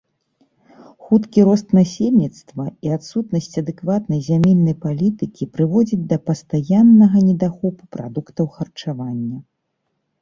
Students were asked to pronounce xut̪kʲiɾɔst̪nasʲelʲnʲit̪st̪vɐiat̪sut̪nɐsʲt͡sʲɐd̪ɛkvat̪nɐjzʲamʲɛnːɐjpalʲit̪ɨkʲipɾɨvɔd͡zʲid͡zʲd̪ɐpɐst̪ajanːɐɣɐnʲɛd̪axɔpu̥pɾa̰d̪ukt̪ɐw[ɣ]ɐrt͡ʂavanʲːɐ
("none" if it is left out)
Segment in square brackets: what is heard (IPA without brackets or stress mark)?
x